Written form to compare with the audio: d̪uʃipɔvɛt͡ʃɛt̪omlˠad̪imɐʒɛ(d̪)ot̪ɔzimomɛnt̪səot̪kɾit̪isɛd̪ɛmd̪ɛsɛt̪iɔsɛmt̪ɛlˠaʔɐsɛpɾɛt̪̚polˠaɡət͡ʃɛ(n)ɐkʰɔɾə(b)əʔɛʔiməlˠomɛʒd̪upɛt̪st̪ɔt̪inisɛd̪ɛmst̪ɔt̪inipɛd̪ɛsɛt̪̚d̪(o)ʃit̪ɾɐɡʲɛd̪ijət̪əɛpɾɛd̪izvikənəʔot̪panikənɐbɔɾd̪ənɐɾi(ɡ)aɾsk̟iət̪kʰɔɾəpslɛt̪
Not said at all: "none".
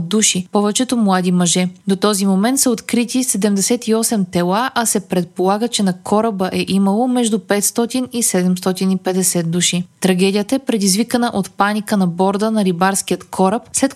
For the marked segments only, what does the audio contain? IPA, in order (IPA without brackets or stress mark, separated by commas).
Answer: d̪, n, b, u, b